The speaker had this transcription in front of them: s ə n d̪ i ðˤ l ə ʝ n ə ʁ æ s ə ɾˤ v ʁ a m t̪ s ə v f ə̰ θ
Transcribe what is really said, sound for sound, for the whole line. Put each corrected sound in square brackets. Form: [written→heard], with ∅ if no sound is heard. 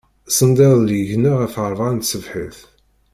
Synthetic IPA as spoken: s ə n d̪ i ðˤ l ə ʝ n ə ʁ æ [s→f] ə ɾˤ v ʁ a [m→n] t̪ s ə v [f→ħ] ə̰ θ